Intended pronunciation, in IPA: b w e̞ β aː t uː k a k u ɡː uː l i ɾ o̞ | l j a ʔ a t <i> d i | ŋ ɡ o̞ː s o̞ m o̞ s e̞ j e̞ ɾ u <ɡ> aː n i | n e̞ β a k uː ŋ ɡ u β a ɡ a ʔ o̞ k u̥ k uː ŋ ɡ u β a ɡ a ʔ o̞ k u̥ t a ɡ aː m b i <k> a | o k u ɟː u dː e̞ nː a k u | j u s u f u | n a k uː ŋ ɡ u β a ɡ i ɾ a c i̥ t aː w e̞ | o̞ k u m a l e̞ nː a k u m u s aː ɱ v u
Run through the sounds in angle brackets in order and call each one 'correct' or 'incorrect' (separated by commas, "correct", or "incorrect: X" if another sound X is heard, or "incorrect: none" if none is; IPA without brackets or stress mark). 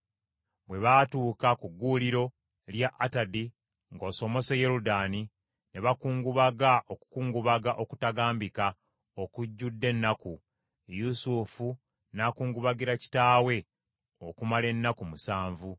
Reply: incorrect: a, incorrect: d, correct